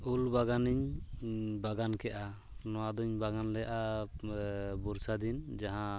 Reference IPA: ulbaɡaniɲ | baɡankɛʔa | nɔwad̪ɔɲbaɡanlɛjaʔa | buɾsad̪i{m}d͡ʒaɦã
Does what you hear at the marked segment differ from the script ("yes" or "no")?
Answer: yes